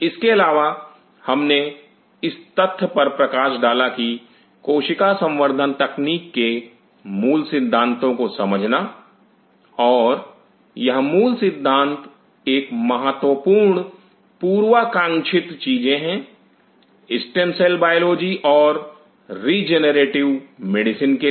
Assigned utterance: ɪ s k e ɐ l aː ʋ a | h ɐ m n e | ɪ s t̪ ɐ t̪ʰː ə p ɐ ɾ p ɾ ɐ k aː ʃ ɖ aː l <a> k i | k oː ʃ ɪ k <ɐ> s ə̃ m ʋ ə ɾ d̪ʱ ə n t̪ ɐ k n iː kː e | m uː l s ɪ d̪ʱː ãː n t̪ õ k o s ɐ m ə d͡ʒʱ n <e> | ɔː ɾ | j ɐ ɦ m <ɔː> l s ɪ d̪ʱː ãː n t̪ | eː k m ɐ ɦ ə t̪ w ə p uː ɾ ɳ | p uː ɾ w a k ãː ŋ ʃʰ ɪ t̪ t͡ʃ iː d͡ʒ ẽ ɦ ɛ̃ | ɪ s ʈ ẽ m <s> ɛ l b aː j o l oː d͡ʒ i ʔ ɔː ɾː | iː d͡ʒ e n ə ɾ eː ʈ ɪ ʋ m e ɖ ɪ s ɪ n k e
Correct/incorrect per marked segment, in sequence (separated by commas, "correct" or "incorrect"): correct, incorrect, incorrect, incorrect, correct